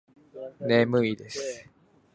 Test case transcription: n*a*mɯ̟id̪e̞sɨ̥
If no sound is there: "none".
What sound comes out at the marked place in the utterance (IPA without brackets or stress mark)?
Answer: e